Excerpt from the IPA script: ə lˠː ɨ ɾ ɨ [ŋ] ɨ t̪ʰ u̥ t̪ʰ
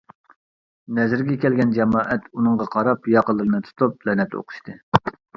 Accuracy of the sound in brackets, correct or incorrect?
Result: incorrect